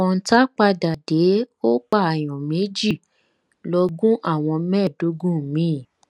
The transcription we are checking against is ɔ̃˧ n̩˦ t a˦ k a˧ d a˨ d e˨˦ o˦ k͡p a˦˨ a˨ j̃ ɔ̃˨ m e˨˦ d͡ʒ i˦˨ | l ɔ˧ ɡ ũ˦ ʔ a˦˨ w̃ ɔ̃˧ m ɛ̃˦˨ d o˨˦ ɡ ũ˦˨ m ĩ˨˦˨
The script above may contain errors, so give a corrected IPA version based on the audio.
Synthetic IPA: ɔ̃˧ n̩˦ t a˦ k͡p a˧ d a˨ d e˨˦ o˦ k͡p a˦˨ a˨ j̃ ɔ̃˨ m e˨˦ d͡ʒ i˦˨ | l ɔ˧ ɡ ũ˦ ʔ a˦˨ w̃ ɔ̃˧ m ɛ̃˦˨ d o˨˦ ɡ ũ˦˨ m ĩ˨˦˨